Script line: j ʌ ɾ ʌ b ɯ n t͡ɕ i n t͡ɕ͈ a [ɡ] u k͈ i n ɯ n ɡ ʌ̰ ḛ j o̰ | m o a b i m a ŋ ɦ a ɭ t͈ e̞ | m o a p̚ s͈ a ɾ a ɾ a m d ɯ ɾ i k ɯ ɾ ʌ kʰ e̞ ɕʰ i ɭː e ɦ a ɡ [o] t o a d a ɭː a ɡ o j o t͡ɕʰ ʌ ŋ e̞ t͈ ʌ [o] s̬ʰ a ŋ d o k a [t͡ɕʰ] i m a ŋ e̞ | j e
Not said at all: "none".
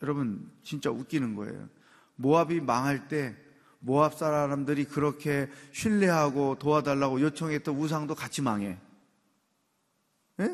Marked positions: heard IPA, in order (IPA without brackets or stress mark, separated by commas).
none, o, u, t͡ɕʰ